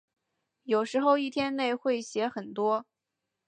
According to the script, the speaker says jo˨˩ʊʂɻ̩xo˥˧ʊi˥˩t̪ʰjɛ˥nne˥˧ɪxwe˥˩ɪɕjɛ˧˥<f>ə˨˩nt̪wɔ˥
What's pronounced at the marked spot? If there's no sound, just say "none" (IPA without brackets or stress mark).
x